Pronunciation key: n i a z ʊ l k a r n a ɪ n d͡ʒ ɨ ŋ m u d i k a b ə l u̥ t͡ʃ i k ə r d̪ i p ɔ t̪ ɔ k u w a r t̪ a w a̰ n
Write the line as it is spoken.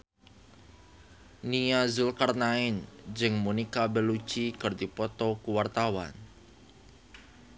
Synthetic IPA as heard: n i a z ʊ l k a r n a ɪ n d͡ʒ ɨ ŋ m u n i k a b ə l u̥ t͡ʃ i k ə r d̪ i p ɔ t̪ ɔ k u w a r t̪ a w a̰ n